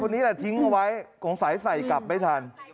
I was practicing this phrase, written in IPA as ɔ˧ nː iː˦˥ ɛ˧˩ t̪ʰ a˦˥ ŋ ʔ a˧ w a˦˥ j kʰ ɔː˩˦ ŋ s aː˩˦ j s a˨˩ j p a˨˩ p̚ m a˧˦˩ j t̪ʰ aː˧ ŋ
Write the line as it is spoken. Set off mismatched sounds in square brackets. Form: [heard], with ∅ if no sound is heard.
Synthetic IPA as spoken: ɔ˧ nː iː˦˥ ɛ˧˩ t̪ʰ [i˦˥] ŋ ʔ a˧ w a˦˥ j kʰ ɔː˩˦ ŋ s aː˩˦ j s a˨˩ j [k] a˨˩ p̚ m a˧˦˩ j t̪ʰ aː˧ [n]